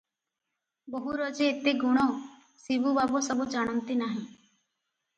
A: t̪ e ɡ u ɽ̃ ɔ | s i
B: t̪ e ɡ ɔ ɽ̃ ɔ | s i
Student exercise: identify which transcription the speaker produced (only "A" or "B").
A